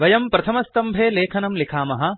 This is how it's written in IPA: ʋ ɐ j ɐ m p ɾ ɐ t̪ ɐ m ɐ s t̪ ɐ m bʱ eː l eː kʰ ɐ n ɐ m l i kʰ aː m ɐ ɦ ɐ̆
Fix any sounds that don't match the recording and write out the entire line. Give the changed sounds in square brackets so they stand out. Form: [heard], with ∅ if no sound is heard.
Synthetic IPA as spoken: ʋ ɐ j ɐ m p ɾ ɐ [t̪ʰ] ɐ m ɐ s t̪ ɐ m bʱ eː l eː kʰ ɐ n ɐ m l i kʰ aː m ɐ ɦ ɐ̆